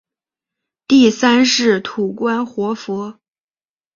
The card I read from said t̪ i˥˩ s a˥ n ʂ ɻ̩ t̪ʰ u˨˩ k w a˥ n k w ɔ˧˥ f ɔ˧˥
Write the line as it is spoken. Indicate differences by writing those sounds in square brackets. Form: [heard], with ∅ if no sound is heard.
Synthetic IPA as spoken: t̪ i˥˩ s a˥ n ʂ ɻ̩ t̪ʰ u˨˩ k w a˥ n [x] w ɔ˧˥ f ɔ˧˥